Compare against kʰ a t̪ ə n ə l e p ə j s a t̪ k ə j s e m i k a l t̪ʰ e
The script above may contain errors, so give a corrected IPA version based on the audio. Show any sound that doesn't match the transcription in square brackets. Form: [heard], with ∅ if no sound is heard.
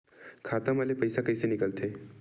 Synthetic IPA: kʰ a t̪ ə [m] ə l e p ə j s a [∅] k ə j s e [n] i k [ə] l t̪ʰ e